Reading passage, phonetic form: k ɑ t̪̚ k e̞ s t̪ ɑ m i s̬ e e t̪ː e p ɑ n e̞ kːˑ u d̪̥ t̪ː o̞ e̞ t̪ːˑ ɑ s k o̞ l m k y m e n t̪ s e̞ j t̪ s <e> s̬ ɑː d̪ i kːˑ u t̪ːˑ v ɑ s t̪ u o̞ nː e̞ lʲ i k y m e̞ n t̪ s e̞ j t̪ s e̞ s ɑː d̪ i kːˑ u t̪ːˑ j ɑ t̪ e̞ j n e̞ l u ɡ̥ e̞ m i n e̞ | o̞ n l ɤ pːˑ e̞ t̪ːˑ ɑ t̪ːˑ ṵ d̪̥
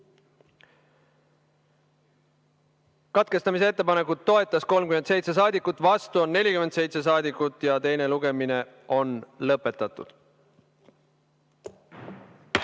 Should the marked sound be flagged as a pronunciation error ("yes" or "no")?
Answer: no